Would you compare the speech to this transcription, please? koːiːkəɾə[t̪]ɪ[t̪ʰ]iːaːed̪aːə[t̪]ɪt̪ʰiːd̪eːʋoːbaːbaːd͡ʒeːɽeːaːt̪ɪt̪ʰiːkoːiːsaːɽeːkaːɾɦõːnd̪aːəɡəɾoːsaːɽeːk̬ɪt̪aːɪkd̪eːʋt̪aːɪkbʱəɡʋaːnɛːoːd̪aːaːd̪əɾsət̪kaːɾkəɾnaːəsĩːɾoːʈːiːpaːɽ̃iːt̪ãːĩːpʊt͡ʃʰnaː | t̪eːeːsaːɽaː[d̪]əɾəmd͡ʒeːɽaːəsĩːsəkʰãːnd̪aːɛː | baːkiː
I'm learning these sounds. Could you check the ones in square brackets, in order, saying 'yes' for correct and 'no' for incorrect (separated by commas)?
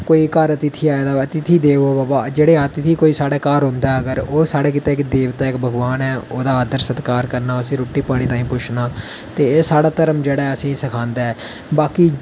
yes, yes, yes, no